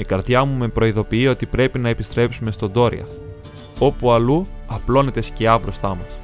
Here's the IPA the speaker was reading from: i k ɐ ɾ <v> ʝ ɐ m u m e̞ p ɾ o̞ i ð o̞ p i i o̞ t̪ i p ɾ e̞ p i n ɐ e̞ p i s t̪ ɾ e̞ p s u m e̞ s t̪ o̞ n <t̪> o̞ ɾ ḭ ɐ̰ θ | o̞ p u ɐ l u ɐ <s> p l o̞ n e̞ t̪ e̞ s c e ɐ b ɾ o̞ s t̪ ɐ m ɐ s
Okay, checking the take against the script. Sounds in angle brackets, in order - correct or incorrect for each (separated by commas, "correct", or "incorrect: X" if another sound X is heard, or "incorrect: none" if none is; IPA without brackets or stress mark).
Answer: incorrect: ð, incorrect: d̪, incorrect: none